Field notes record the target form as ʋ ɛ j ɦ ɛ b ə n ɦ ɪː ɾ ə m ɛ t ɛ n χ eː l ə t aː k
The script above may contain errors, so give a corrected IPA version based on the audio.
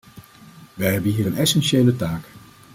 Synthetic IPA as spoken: ʋ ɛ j ɦ ɛ b ə n ɦ iː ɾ ə n ɛ s ɛ n ʃ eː l ə t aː k